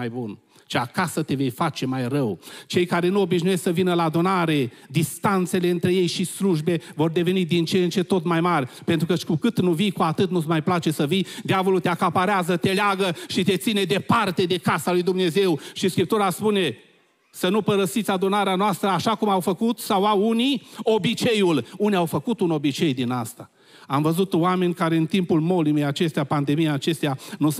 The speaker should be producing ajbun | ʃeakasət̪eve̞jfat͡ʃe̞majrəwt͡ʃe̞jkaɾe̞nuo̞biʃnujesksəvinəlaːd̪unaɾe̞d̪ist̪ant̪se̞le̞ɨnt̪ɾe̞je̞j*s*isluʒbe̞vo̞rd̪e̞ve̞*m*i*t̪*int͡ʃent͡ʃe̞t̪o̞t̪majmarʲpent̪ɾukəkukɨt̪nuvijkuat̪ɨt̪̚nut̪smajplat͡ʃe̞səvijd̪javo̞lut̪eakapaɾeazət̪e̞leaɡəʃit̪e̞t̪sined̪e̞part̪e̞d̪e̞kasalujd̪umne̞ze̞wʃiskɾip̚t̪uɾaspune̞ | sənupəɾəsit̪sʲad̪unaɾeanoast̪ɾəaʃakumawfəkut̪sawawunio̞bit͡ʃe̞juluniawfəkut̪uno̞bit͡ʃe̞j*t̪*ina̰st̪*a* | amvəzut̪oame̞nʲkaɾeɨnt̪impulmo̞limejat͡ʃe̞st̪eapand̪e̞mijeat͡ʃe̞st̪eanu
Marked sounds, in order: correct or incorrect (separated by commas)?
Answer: incorrect, incorrect, incorrect, incorrect, correct